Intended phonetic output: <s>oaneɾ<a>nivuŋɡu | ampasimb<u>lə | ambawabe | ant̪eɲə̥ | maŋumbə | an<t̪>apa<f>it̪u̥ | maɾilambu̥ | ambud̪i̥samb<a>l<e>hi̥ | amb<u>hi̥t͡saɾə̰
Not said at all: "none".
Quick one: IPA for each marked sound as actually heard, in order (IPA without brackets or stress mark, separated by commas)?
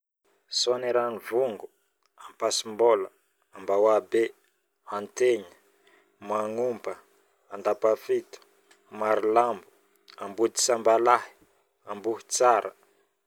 s, a, o, d̪, f, a, a, u